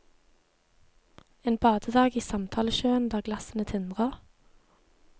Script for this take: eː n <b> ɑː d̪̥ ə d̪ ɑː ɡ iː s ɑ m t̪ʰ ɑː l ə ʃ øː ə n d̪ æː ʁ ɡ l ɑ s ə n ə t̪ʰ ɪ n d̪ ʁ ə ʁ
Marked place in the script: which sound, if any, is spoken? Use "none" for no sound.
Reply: b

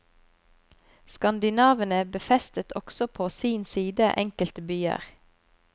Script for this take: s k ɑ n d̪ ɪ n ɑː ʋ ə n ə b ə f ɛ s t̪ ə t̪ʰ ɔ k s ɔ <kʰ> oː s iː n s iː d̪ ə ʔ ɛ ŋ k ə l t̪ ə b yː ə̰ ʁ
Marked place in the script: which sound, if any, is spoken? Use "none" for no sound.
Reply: pʰ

